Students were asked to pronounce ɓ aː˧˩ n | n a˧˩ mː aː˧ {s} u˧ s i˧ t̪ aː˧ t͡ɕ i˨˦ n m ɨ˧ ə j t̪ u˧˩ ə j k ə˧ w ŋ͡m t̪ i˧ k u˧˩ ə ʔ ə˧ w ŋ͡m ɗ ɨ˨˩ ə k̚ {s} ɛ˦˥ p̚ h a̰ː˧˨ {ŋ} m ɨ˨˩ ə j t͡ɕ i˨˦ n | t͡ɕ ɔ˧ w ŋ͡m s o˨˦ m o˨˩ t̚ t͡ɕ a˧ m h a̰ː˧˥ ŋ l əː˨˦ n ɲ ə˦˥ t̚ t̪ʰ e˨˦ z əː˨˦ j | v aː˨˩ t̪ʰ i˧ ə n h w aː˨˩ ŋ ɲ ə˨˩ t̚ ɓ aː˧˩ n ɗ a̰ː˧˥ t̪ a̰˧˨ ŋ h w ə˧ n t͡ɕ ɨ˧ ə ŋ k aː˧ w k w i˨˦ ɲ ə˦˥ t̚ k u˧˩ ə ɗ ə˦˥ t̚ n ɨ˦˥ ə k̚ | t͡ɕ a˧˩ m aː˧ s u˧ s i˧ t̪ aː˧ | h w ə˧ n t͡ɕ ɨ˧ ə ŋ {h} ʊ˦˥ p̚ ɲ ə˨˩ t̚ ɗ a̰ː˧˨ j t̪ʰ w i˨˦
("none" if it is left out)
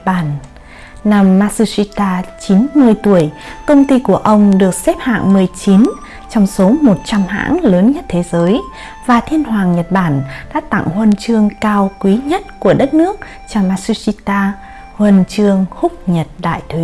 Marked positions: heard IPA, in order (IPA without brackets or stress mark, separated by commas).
s, s, ŋ, h